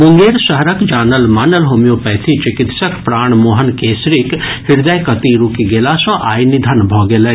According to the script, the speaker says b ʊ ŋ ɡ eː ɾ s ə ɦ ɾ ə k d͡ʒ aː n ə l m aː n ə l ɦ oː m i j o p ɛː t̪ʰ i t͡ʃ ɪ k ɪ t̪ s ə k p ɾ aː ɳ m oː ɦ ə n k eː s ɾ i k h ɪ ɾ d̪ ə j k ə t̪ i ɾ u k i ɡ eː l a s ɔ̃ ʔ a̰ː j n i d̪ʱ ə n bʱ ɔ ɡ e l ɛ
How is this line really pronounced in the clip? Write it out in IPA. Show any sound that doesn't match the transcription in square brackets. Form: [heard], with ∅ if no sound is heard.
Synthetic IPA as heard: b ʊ ŋ ɡ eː ɾ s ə ɦ ɾ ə k d͡ʒ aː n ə l m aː n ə l ɦ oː m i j o p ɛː t̪ʰ i t͡ʃ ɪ k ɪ t̪ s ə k p ɾ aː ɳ m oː ɦ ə n k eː s ɾ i k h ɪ ɾ d̪ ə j k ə t̪ i ɾ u k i ɡ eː l a s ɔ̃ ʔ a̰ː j n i d̪ʱ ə n bʱ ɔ ɡ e l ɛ